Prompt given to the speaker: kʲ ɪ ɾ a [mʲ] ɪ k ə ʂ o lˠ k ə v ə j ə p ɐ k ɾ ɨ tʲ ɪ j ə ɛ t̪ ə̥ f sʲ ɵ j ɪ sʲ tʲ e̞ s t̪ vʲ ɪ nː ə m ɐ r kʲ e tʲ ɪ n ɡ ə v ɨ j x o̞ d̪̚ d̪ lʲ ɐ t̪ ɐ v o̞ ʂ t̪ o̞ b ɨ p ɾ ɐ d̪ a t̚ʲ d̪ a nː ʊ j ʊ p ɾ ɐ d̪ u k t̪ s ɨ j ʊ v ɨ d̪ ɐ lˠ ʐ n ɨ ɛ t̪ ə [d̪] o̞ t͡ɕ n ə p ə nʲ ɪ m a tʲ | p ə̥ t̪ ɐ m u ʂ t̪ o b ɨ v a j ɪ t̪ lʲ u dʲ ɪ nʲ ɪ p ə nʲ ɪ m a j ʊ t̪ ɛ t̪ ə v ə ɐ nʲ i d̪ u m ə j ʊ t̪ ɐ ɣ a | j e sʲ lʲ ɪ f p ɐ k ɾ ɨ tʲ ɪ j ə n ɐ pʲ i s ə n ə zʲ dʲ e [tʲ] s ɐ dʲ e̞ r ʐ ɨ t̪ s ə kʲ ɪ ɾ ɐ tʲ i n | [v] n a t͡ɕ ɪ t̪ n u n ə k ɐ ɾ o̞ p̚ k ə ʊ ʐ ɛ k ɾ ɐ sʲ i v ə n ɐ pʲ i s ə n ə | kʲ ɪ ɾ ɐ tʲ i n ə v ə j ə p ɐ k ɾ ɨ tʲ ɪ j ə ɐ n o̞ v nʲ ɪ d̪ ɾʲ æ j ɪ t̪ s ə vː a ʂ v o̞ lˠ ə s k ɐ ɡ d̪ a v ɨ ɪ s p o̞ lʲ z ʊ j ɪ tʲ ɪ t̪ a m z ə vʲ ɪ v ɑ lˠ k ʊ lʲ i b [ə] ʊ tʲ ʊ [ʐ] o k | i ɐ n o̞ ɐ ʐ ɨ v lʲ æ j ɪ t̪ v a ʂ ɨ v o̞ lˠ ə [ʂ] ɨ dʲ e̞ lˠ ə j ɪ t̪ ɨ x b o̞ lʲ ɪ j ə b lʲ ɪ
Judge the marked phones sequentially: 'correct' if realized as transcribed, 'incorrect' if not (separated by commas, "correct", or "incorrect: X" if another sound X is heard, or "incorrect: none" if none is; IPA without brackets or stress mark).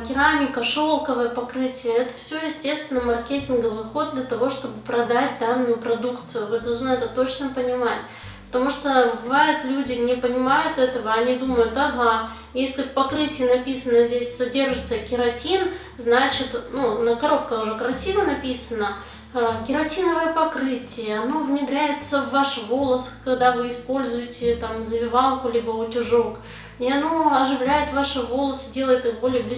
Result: correct, incorrect: t̪, incorrect: sʲ, incorrect: z, correct, correct, incorrect: s